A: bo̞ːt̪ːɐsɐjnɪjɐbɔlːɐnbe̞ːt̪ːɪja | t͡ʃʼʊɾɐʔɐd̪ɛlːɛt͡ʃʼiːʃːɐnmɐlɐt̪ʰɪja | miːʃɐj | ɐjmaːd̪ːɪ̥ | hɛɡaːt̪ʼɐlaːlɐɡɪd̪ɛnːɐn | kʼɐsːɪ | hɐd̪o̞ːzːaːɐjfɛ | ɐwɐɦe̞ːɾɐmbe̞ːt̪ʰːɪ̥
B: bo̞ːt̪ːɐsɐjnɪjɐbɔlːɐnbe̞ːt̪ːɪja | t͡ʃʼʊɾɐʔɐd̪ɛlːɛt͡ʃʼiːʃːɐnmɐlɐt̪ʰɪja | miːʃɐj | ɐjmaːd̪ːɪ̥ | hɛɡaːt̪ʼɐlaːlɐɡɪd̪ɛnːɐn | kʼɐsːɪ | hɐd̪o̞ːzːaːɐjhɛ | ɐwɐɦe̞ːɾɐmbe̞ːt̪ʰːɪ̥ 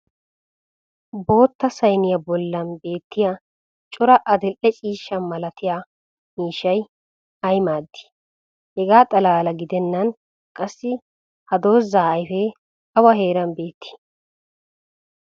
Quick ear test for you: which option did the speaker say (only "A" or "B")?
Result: A